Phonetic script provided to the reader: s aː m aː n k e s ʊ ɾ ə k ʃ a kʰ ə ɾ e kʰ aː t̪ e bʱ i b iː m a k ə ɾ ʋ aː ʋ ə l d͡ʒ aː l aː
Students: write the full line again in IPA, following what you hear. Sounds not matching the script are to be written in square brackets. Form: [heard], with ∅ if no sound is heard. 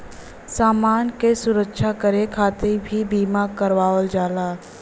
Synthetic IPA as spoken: s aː m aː n k e s ʊ ɾ ə k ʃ a [k] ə ɾ e kʰ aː t̪ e bʱ i b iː m a k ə ɾ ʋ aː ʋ ə l d͡ʒ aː l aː